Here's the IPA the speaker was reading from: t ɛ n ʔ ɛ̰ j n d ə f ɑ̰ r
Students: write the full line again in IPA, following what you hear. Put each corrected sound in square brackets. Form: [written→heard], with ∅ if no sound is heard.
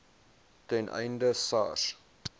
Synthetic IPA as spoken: t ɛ n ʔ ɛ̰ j n d ə [f→s] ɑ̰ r